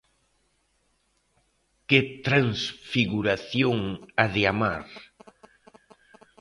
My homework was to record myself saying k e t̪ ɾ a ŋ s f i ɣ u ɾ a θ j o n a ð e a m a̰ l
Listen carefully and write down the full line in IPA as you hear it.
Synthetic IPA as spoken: k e t̪ ɾ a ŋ s f i ɣ u ɾ a θ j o ŋ a ð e a m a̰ ɾ